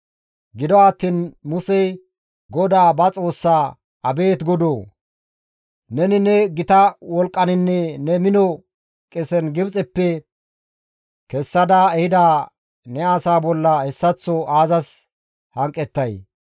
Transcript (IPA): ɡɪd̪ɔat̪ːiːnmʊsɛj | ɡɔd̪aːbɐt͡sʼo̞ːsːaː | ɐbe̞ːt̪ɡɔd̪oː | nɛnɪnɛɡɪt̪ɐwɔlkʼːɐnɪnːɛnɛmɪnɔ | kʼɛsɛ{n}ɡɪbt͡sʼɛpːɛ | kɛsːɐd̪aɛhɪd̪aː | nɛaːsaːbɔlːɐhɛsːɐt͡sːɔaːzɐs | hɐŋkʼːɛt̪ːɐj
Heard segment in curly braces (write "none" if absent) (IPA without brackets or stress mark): n